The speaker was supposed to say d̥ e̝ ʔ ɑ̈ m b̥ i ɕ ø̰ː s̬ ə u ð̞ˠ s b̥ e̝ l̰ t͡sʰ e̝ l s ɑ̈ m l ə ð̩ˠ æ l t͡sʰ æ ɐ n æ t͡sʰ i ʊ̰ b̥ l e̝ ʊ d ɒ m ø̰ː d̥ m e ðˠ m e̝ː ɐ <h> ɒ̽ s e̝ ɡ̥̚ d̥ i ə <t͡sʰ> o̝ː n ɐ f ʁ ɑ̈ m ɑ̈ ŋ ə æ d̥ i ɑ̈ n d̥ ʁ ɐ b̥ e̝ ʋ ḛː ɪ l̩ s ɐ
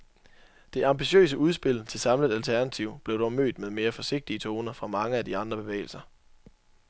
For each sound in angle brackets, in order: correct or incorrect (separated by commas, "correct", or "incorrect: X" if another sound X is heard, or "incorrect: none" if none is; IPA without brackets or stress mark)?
incorrect: f, correct